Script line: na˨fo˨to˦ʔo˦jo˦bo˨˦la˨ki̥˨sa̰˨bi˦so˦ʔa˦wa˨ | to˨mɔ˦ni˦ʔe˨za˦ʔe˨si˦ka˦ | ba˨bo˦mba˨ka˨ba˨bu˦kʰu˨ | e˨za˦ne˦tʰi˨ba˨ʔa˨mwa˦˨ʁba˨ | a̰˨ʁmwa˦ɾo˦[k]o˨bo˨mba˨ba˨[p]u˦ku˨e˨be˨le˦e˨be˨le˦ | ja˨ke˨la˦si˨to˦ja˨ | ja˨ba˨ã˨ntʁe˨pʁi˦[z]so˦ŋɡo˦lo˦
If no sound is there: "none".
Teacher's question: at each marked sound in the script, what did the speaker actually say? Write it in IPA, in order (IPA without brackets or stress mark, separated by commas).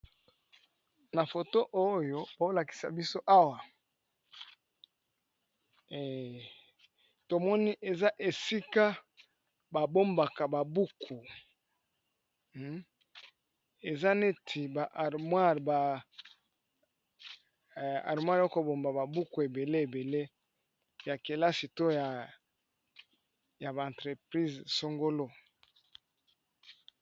k, b, z